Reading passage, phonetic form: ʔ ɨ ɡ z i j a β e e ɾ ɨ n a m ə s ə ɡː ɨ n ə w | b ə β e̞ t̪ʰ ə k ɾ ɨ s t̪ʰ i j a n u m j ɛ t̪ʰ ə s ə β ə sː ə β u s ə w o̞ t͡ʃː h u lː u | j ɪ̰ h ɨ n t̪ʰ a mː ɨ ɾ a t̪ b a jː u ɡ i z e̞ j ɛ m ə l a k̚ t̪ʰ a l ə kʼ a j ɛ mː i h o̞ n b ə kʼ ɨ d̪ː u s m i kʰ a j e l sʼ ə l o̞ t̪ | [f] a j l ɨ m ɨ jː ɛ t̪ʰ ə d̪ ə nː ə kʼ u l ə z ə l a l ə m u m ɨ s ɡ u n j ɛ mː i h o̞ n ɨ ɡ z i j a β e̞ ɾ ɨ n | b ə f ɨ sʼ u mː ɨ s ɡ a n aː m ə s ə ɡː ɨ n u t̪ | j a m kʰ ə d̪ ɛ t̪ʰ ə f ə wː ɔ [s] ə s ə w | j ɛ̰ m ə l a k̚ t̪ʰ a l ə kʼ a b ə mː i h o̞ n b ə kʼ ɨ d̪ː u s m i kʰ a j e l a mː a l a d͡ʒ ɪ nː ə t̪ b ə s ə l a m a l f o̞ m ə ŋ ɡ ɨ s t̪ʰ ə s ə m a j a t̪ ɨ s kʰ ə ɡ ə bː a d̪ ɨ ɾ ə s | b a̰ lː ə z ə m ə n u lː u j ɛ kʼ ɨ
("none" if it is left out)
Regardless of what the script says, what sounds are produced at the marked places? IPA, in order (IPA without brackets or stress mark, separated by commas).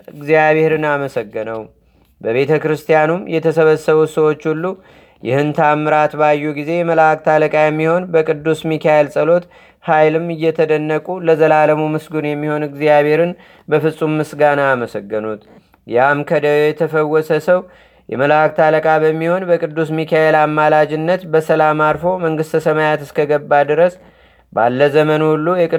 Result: h, s